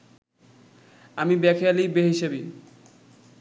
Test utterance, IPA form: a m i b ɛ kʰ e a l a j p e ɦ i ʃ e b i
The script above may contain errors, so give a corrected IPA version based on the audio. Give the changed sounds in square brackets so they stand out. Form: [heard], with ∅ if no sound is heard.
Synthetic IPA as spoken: a m i b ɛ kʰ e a l [i] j [b] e ɦ i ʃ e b i